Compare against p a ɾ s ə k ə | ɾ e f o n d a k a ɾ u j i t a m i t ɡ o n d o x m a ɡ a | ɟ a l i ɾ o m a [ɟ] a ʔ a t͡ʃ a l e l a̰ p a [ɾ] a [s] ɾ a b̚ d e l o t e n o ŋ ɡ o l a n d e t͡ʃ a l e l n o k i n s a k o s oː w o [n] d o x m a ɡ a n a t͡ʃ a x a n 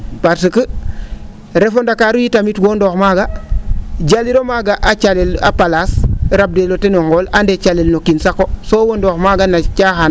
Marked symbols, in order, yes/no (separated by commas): no, no, yes, yes